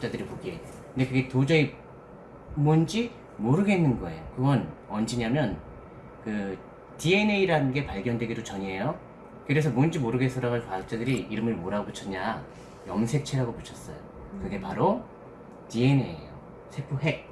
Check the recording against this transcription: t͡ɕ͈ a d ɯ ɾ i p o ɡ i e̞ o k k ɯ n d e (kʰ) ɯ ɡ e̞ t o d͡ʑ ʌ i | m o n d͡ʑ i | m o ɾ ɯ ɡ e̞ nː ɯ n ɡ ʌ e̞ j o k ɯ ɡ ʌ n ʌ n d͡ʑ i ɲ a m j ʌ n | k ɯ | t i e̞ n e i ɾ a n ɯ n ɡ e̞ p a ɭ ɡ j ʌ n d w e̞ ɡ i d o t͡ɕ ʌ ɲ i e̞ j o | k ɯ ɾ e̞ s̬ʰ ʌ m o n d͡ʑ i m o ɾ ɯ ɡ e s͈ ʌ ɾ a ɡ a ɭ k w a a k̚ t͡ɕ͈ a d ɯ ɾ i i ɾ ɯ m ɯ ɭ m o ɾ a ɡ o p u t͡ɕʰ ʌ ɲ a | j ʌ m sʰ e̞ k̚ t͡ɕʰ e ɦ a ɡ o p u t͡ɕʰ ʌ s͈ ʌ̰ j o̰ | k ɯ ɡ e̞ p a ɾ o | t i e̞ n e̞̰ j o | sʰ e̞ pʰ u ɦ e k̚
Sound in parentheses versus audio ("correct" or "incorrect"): incorrect